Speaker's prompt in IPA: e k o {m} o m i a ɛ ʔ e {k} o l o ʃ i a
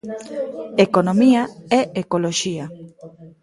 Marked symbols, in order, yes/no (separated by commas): no, yes